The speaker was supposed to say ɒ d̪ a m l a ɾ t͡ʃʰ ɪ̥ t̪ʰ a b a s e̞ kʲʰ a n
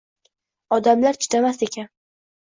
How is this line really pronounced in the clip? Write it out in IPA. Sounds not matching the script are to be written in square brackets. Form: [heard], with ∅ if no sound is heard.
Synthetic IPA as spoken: ɒ d̪ a m l a ɾ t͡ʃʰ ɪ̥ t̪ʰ a [m] a s e̞ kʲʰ a n